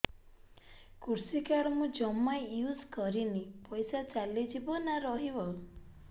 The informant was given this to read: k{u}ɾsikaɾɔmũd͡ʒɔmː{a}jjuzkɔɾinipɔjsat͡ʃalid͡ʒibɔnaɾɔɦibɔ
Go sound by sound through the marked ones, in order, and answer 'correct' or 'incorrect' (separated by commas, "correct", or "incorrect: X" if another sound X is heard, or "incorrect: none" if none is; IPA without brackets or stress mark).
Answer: correct, correct